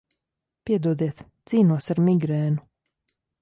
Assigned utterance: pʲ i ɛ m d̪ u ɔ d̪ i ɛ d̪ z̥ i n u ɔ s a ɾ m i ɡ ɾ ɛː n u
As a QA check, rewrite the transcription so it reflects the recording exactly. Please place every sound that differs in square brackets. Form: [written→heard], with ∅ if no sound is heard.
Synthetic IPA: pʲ i ɛ [m→∅] d̪ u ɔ d̪ i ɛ [d̪→t̪] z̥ [i→iː] n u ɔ s a ɾ m i ɡ ɾ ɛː n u